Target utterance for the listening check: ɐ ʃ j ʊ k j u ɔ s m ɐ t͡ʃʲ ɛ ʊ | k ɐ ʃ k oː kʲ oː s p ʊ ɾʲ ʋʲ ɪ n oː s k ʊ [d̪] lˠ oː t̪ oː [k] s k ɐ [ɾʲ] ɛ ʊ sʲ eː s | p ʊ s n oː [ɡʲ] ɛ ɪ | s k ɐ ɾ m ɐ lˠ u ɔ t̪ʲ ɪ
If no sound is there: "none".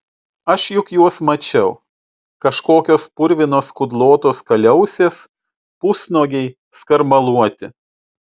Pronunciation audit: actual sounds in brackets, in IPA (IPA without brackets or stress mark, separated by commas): d̪, none, lʲ, ɡʲ